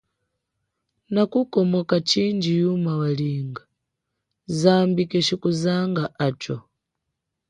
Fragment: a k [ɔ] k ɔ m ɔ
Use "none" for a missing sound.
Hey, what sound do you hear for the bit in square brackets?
u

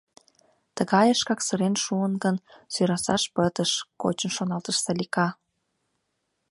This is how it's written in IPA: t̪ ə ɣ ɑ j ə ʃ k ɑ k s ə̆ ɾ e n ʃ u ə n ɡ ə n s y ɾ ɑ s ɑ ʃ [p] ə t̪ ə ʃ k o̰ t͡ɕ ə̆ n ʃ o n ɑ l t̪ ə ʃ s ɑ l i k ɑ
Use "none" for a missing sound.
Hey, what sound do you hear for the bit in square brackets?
p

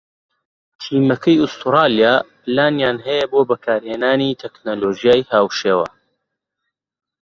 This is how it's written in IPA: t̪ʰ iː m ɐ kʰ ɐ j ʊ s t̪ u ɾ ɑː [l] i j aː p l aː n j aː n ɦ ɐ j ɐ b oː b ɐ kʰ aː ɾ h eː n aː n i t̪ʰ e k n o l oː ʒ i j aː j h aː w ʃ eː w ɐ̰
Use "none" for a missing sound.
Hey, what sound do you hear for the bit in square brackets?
l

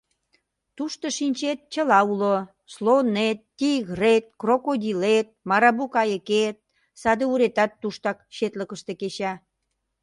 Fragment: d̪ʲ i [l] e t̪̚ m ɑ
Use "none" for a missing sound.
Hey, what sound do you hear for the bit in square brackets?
l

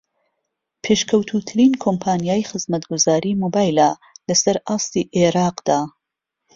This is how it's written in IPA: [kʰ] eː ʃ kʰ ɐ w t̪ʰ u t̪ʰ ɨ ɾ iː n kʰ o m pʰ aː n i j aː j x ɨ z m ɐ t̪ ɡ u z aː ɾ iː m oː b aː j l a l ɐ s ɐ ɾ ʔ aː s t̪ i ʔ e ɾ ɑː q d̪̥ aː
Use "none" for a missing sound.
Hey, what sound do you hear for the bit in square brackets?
pʰ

